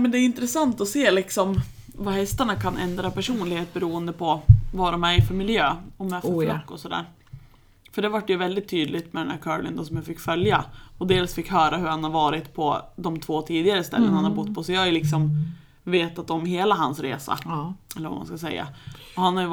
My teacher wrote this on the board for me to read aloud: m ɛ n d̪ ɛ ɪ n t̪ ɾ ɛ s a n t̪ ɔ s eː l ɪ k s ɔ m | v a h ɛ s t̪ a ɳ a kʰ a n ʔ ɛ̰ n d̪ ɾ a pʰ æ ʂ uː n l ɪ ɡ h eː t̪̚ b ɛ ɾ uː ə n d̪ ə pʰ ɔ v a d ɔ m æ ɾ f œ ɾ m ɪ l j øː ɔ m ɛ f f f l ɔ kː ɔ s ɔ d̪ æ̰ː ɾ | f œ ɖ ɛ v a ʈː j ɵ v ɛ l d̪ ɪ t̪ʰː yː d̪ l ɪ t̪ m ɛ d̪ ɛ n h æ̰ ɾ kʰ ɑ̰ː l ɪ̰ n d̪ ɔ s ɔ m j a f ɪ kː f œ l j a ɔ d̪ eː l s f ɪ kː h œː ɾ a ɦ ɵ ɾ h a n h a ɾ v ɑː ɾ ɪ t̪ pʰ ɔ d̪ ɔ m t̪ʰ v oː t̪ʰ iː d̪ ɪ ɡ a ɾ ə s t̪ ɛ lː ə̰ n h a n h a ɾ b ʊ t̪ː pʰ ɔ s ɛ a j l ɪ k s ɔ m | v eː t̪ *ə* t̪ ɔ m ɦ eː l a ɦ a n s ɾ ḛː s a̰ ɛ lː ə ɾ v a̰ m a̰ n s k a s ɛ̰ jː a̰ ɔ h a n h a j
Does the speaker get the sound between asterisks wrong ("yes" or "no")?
yes